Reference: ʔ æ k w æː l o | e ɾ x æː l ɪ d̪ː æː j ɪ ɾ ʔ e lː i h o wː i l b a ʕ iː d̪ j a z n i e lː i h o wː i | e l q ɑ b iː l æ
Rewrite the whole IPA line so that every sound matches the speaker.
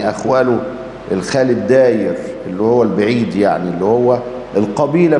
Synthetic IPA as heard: ʔ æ x w æː l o | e l x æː l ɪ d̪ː æː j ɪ ɾ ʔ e lː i h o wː æ l b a ʕ iː d̪ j a ʕ n i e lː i h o wː æ | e l q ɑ b iː l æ